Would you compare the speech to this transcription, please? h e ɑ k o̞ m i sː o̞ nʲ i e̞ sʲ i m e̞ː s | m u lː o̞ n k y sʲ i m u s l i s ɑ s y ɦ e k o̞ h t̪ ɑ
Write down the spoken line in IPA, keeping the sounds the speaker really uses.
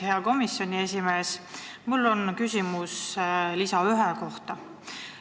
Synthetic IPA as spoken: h e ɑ k o̞ m i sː o̞ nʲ i e̞ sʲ i m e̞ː s | m u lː o̞ n k y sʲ i m u s l i s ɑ y ɦ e k o̞ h t̪ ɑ